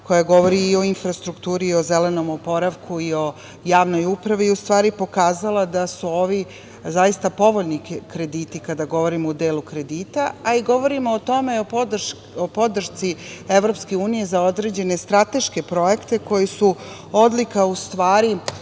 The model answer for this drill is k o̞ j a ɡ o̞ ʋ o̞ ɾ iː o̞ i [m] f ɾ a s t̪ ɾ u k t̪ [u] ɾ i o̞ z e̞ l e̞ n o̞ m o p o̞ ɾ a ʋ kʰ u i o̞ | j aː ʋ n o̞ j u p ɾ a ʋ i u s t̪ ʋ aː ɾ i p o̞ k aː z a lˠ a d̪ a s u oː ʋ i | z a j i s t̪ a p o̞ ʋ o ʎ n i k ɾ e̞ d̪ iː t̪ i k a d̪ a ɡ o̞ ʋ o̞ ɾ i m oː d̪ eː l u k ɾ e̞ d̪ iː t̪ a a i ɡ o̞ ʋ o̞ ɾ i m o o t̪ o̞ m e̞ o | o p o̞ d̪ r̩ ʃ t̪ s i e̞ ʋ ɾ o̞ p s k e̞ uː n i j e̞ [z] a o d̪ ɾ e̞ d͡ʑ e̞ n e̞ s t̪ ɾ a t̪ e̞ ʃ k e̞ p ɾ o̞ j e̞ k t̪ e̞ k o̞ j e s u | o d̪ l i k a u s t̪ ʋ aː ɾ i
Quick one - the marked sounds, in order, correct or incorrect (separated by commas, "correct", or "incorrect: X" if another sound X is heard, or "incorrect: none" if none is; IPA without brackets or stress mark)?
incorrect: n, incorrect: uː, correct